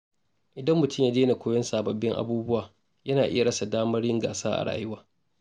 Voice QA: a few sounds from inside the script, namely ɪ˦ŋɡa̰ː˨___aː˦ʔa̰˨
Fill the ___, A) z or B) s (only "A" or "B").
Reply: B